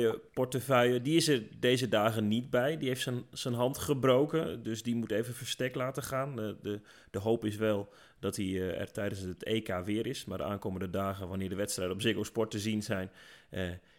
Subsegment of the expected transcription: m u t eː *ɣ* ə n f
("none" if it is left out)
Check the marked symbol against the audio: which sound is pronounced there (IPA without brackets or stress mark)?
v